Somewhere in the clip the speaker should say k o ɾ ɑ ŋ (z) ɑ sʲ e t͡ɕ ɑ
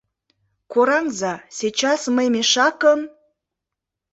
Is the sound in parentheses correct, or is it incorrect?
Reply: correct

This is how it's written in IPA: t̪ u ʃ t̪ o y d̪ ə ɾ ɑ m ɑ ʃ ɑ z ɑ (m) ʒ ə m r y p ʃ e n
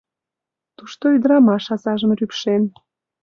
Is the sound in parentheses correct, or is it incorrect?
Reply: incorrect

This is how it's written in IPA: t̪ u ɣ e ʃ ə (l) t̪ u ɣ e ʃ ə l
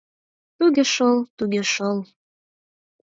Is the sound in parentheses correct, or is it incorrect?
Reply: correct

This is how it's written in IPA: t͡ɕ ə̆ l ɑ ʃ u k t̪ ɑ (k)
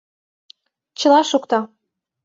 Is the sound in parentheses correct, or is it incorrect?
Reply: incorrect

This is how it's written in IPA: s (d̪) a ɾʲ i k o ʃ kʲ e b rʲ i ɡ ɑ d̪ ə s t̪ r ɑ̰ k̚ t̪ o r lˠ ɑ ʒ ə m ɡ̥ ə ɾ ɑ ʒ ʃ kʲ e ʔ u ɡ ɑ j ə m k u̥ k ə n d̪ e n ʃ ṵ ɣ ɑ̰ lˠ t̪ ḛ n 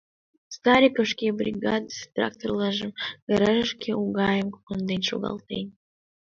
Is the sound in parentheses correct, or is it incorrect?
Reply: incorrect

